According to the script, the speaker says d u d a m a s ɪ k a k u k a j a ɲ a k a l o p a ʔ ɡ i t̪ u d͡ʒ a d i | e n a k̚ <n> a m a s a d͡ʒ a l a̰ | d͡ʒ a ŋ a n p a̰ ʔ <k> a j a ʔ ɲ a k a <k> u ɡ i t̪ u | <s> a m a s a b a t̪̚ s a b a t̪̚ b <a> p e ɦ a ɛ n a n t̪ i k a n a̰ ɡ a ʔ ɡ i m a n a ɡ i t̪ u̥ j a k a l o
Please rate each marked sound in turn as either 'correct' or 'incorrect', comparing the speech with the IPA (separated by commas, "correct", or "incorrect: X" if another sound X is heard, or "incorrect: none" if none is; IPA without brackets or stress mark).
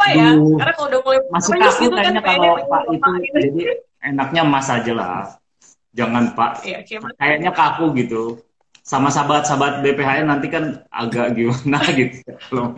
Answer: incorrect: ɲ, correct, correct, correct, incorrect: e